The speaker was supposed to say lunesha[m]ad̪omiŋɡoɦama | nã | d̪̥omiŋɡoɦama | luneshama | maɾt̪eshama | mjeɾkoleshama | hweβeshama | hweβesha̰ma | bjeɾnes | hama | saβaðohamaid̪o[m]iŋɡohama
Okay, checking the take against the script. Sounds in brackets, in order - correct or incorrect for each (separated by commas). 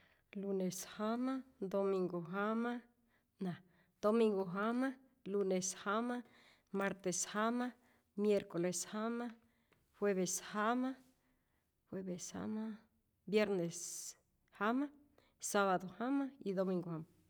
correct, correct